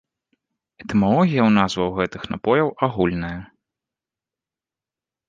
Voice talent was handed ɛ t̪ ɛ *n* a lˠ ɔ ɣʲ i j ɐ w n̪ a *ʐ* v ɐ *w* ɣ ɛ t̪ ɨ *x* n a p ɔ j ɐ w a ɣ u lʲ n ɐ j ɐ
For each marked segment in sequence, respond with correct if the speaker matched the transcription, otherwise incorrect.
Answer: incorrect, incorrect, correct, correct

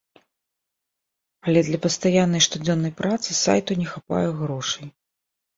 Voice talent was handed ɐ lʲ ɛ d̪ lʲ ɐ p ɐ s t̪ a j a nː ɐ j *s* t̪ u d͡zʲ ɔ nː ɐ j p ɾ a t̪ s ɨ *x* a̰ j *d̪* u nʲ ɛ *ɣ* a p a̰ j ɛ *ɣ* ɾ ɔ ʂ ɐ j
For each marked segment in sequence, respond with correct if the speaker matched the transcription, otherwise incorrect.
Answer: incorrect, incorrect, incorrect, incorrect, correct

